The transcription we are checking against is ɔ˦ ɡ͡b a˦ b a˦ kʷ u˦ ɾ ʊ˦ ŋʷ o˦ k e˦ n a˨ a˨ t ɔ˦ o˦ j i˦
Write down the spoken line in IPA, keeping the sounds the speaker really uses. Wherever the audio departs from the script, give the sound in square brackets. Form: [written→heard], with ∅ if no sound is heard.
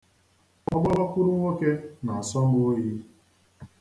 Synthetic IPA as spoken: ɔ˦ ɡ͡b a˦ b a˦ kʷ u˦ ɾ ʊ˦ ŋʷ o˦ k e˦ n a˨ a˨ [t→s] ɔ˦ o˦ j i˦